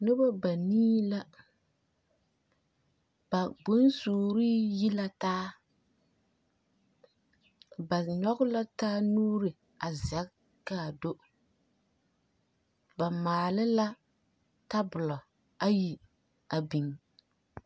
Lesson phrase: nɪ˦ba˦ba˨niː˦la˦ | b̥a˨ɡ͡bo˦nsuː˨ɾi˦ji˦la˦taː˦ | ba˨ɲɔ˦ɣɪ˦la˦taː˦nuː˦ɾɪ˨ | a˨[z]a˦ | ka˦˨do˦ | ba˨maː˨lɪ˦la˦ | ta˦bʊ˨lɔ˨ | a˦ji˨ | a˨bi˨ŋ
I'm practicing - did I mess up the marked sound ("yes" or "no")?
no